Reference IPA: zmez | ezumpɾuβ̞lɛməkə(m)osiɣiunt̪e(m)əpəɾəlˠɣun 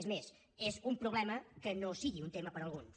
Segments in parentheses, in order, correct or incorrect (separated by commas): incorrect, correct